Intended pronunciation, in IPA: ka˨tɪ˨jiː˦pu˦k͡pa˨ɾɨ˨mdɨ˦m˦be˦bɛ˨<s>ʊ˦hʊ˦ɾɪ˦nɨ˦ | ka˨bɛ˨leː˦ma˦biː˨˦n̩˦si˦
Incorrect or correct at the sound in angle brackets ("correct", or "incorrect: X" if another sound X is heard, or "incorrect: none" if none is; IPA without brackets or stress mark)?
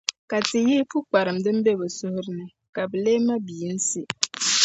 correct